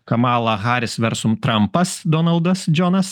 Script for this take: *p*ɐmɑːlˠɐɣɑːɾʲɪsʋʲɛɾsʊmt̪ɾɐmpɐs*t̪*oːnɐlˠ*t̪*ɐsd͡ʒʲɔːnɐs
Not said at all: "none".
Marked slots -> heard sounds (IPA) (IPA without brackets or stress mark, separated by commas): k, d̪, d̪